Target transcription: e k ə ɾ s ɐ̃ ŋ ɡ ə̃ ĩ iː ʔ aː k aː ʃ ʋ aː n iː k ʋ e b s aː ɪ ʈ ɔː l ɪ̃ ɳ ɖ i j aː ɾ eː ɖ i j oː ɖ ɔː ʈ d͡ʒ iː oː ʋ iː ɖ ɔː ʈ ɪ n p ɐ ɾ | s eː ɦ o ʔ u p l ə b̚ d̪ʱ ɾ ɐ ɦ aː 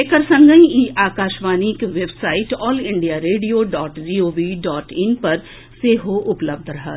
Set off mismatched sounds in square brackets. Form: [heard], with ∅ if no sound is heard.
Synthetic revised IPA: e k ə ɾ s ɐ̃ ŋ ɡ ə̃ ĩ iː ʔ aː k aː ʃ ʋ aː n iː k ʋ e b s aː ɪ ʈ ɔː l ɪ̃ ɳ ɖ i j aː ɾ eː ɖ i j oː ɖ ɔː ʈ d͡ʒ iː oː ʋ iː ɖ ɔː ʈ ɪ n p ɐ ɾ | s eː ɦ o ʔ [ʊ] p l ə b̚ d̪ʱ ɾ ɐ ɦ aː